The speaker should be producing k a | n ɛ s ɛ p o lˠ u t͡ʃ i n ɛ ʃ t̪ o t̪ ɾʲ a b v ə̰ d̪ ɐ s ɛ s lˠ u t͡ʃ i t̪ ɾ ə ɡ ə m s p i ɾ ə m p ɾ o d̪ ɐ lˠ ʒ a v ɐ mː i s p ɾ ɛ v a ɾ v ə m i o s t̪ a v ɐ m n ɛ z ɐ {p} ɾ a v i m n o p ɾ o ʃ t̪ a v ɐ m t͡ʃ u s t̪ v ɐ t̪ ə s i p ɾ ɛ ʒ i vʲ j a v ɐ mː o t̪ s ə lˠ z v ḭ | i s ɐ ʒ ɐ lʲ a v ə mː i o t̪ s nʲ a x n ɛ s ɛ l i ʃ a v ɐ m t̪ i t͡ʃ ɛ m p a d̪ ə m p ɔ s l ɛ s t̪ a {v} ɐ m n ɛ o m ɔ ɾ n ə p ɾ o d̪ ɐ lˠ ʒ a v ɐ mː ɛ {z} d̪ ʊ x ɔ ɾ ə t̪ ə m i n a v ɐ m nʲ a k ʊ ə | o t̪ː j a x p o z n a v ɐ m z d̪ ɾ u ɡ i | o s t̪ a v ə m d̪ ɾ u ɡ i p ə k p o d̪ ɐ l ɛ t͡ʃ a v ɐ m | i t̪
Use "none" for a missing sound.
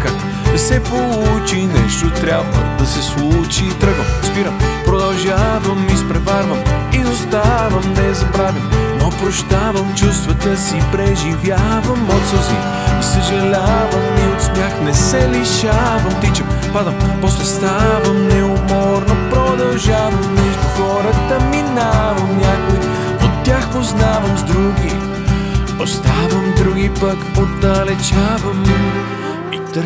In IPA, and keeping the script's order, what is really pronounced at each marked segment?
b, v, ʒ

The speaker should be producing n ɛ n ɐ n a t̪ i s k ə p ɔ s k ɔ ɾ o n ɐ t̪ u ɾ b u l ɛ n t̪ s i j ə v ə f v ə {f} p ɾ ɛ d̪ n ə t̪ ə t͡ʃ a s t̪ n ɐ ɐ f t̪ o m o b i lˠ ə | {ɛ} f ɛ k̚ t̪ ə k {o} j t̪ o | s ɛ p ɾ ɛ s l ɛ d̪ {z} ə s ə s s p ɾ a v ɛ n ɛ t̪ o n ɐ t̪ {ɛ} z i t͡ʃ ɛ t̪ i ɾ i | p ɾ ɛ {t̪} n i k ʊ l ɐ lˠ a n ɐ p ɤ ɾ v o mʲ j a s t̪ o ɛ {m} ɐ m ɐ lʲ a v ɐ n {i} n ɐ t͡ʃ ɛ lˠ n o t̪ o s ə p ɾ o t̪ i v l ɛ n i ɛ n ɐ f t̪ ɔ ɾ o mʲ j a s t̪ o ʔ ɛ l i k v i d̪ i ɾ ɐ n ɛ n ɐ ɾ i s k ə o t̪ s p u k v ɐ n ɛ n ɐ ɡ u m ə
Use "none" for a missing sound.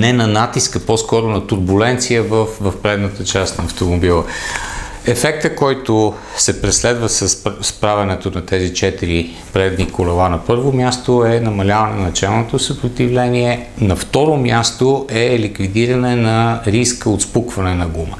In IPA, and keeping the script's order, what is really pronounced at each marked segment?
f, ɛ, ɔ, v, ɛ, d̪, n, ɛ

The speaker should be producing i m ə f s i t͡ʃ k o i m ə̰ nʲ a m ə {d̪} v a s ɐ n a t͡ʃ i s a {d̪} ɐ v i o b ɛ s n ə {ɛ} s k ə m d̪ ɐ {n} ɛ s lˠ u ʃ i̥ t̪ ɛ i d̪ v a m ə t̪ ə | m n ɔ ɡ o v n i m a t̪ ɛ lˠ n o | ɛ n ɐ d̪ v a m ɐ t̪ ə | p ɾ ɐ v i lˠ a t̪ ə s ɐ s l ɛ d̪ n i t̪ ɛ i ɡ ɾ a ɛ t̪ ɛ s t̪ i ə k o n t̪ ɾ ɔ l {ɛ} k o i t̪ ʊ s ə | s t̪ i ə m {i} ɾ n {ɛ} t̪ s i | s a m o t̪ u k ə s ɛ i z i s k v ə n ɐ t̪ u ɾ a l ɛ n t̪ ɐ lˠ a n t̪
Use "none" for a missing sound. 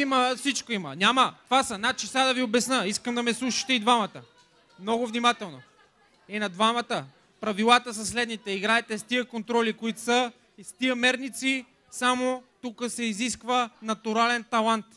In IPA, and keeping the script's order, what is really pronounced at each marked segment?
t̪, d̪, i, m, i, ɛ, i

